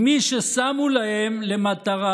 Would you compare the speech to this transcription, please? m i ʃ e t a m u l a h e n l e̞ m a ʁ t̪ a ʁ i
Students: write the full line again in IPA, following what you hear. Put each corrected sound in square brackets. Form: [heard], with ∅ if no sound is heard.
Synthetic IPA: m i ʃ e [s] a m u l a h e [m] l e̞ m a [∅] t̪ a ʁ [a]